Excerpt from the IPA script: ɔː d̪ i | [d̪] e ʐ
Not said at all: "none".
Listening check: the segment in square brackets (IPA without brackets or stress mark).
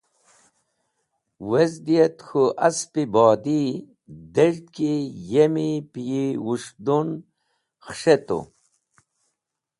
d̪